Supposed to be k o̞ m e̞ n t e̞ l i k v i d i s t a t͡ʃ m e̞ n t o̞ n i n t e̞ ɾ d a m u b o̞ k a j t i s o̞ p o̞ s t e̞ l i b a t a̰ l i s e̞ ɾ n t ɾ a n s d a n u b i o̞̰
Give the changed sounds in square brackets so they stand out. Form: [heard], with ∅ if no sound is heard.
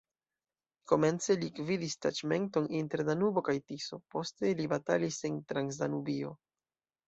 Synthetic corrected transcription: k o̞ m e̞ n [t͡s] e̞ l i k v i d i s t a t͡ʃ m e̞ n t o̞ n i n t e̞ ɾ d a [n] u b o̞ k a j t i s o̞ p o̞ s t e̞ l i b a t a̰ l i s e̞ [∅] n t ɾ a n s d a n u b i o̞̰